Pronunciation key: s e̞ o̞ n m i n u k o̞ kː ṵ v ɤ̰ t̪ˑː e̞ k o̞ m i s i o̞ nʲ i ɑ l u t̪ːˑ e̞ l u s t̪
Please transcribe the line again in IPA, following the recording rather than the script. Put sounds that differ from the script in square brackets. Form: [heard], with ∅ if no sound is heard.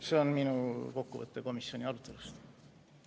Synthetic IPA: s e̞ o̞ n m i n u k o̞ kː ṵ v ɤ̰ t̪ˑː e̞ k o̞ m i s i o̞ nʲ i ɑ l u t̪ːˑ e̞ l u s t̪